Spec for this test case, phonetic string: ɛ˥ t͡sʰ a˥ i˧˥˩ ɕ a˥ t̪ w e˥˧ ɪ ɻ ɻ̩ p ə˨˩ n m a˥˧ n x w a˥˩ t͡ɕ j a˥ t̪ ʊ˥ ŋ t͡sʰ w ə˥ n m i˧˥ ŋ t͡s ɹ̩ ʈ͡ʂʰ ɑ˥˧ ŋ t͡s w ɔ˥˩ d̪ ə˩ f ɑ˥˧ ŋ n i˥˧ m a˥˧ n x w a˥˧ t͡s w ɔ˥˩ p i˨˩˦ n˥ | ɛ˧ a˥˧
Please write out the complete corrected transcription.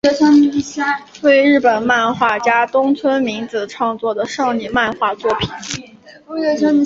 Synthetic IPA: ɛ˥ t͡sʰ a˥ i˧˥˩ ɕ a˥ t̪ w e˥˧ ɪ ɻ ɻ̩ p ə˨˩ n m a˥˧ n x w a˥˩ t͡ɕ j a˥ t̪ ʊ˥ ŋ t͡sʰ w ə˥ n m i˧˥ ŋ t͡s ɹ̩ ʈ͡ʂʰ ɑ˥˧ ŋ t͡s w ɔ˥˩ d̪ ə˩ ʂ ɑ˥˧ ŋ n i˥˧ m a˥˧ n x w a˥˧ t͡s w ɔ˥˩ pʰ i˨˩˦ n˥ | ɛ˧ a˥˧